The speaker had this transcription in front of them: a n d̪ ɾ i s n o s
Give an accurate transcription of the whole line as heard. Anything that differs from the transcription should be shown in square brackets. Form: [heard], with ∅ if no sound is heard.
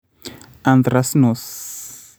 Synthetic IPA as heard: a n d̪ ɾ [a] s n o s

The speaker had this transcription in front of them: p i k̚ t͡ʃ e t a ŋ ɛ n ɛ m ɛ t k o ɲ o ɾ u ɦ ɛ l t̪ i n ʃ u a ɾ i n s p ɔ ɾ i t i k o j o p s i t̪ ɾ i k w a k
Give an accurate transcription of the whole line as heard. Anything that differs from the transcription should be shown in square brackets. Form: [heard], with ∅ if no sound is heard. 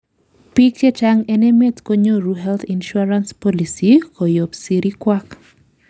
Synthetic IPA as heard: p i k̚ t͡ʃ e [t͡ʃ] a ŋ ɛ n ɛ m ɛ t k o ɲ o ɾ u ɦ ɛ l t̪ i n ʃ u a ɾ [a] n s p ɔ [l] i [s] i k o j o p s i [∅] ɾ i k w a k

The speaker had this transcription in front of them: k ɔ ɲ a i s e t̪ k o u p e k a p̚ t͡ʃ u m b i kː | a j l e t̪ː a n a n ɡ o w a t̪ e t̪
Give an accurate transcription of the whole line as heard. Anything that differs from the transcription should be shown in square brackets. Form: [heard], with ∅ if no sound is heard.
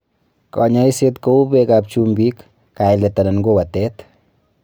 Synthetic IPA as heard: k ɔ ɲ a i s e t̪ k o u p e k a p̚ t͡ʃ u m b i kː | a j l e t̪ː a n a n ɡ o w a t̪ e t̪

